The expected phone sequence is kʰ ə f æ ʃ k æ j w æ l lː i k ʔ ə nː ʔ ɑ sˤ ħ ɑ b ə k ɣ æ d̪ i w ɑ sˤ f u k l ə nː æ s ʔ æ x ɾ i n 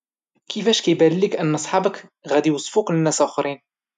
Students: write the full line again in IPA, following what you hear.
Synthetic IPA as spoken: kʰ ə f æ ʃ k æ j b æ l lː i k ʔ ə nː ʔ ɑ sˤ ħ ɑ b ə k ɣ æ d̪ i w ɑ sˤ f u k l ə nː æ s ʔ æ x ɾ i n